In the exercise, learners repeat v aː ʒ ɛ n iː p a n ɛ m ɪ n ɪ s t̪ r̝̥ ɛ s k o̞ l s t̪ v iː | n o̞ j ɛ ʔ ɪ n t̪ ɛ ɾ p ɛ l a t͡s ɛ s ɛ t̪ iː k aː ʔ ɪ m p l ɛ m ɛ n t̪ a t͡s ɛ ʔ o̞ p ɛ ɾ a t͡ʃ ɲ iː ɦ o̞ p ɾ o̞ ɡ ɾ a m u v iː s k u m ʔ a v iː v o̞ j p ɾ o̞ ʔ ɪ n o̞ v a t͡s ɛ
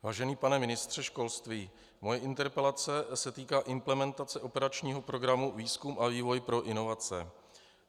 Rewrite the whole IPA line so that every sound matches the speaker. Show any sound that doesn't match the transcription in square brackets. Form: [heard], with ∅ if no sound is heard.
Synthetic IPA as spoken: v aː ʒ ɛ n iː p a n ɛ m ɪ n ɪ s t̪ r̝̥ ɛ [ʃ] k o̞ l s t̪ v iː | [m] o̞ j ɛ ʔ ɪ n t̪ ɛ ɾ p ɛ l a t͡s ɛ s ɛ t̪ iː k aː ʔ ɪ m p l ɛ m ɛ n t̪ a t͡s ɛ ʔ o̞ p ɛ ɾ a t͡ʃ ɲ iː ɦ o̞ p ɾ o̞ ɡ ɾ a m u v iː s k u m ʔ a v iː v o̞ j p ɾ o̞ ʔ ɪ n o̞ v a t͡s ɛ